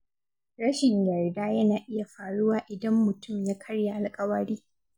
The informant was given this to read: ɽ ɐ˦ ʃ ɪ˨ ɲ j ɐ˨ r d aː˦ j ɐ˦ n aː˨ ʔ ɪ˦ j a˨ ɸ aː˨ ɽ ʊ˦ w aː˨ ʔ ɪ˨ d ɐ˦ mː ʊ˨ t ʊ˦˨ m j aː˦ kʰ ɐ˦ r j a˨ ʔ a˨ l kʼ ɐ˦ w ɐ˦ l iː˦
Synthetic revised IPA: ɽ ɐ˦ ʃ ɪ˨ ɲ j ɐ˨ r d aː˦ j ɐ˦ n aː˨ ʔ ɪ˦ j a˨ ɸ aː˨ ɽ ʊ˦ w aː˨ ʔ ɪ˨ d ɐ˦ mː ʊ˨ t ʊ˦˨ m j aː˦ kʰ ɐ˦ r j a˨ ʔ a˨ l kʼ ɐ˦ w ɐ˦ ɽ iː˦